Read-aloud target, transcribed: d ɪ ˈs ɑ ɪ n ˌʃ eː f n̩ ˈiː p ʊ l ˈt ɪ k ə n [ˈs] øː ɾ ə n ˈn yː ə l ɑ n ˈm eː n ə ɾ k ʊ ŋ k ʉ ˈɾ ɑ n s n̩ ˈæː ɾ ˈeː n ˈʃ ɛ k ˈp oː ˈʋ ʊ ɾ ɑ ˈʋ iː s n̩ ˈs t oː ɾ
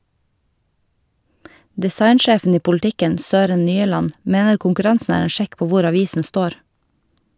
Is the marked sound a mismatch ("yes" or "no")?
no